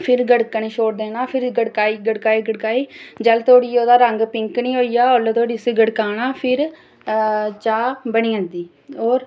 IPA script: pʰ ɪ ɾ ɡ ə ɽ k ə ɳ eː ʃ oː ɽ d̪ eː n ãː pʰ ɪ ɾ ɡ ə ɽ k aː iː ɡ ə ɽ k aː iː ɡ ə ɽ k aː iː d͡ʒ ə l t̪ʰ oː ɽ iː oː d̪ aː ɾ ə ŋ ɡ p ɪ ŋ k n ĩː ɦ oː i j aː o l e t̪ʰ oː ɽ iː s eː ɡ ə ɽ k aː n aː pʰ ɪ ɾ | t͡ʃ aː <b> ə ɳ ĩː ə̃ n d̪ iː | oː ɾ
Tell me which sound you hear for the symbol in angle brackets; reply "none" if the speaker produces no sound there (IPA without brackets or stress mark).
b